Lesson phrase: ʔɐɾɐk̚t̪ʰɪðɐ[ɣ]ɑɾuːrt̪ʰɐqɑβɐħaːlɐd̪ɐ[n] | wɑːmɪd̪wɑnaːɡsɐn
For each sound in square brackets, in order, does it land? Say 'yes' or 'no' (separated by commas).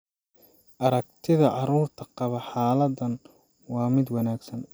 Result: no, yes